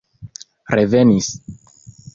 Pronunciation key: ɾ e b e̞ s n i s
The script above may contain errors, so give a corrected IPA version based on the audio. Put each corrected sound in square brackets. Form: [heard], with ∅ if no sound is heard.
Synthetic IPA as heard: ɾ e [v] e̞ [∅] n i s